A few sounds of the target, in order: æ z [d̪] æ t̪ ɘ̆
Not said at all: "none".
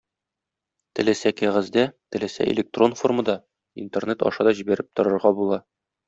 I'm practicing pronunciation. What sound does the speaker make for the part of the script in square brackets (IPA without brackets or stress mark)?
d̪